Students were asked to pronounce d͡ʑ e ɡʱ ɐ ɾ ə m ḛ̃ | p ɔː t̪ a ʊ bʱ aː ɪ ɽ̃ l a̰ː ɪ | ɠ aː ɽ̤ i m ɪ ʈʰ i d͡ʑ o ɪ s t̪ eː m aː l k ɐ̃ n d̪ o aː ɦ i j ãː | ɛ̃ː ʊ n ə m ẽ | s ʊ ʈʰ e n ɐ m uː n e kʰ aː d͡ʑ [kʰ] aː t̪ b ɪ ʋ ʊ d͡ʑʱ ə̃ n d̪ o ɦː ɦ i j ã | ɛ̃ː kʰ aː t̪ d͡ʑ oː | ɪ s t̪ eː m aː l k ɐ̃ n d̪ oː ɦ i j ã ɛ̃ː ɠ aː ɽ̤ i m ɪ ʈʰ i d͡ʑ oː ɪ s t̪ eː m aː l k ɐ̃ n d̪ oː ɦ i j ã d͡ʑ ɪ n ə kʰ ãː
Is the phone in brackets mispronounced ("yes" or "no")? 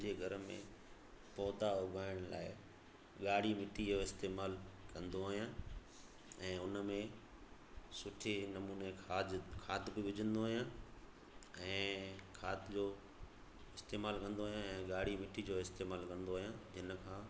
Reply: no